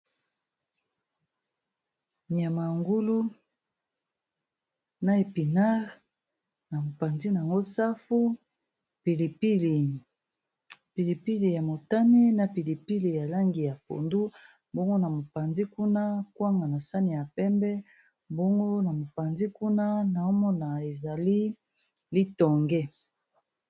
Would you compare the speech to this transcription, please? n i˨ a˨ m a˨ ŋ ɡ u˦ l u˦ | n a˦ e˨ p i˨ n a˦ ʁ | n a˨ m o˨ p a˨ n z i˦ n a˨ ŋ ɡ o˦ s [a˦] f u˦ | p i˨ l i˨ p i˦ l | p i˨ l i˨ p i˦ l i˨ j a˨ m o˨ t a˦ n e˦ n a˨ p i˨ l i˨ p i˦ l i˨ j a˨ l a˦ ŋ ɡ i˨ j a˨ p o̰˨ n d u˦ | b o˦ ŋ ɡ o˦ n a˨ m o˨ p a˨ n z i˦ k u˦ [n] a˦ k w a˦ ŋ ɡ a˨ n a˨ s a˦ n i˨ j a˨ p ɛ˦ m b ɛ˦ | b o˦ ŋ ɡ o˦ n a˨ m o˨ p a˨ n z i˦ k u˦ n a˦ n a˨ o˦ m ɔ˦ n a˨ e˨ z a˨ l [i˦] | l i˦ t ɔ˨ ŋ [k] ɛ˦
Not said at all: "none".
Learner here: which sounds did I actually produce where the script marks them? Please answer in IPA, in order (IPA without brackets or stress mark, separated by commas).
a˦, n, i˦, ɡ